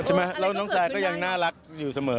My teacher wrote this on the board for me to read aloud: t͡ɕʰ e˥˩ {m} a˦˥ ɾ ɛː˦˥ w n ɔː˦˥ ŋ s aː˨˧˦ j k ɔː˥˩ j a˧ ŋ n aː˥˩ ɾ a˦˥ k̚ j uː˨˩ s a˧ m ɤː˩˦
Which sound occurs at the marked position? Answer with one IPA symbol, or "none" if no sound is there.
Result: m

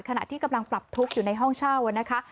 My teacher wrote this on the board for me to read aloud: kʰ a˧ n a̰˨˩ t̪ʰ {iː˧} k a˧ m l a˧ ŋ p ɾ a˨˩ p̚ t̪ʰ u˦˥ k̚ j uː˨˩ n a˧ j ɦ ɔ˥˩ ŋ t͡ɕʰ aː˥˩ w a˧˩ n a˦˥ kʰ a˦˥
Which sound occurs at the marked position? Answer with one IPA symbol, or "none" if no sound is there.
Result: iː˥˩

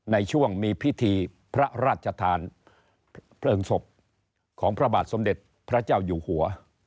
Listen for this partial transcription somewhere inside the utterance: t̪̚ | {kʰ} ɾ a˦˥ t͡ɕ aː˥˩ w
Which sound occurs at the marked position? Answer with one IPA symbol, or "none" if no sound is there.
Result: pʰ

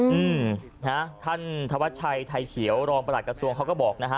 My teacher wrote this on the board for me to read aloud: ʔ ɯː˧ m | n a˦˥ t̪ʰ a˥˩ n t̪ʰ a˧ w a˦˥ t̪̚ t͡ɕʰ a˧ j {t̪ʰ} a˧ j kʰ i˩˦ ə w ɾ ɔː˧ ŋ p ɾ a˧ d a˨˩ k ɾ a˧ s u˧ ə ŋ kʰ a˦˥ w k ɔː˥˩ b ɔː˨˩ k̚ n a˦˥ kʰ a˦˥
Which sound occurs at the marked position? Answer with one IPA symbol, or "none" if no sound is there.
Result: t̪ʰ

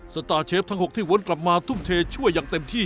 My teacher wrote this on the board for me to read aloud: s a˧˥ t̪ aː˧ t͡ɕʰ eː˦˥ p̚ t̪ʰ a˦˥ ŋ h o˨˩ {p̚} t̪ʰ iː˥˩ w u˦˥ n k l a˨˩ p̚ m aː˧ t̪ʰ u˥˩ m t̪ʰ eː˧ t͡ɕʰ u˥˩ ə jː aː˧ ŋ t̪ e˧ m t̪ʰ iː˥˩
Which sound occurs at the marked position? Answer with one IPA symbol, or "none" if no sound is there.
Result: k̚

